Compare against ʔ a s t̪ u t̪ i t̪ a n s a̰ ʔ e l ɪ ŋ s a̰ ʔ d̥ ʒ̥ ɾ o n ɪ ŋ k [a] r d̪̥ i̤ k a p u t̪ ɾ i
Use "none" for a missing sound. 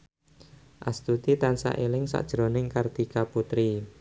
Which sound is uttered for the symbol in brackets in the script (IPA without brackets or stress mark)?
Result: a